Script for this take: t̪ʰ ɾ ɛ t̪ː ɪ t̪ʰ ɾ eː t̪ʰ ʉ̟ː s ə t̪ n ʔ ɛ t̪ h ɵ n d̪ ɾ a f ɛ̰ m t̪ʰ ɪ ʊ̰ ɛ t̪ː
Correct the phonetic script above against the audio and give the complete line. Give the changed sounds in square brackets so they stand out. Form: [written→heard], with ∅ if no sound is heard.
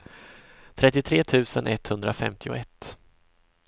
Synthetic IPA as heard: t̪ʰ ɾ ɛ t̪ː ɪ t̪ʰ ɾ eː t̪ʰ ʉ̟ː s ə [t̪→∅] n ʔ ɛ t̪ h ɵ n d̪ ɾ a f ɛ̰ m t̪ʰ ɪ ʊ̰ ɛ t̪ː